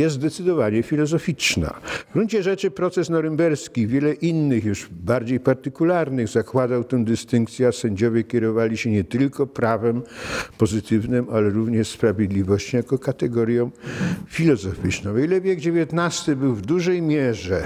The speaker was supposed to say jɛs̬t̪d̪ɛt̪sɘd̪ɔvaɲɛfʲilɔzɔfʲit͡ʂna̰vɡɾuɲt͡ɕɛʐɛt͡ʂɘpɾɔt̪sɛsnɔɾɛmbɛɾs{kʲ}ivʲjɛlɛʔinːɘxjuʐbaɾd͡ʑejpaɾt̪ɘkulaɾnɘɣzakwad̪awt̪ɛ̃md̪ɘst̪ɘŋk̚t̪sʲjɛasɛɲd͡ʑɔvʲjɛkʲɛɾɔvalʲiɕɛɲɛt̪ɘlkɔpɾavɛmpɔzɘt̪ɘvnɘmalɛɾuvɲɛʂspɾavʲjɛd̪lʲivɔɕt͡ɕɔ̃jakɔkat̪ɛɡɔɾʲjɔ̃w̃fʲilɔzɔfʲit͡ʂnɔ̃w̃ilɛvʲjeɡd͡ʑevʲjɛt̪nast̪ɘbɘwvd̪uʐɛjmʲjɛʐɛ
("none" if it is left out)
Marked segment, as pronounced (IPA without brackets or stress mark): kʲ